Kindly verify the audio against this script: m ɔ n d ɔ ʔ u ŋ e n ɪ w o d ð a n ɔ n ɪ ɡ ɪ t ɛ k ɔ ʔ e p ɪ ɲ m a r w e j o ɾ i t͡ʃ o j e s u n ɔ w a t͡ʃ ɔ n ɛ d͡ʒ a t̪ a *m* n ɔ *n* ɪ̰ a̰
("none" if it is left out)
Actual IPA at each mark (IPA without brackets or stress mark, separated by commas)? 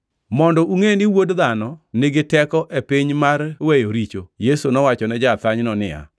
ɲ, n